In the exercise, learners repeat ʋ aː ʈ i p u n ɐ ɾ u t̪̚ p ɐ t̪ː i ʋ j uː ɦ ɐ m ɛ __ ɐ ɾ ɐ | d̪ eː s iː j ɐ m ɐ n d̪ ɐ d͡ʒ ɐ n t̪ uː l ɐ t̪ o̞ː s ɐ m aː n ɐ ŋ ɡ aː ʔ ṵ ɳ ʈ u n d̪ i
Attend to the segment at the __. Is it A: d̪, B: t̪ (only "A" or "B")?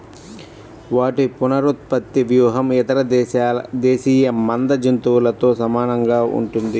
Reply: B